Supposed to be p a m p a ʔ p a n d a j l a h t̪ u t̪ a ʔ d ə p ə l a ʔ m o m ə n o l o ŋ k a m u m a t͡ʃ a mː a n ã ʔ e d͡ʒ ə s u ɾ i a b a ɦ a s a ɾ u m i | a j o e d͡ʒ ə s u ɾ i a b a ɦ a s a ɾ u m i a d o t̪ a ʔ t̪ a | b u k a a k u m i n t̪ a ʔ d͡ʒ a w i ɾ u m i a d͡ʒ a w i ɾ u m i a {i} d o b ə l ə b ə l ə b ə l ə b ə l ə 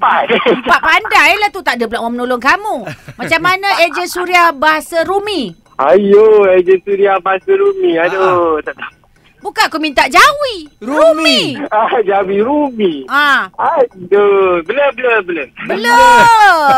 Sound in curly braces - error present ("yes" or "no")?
yes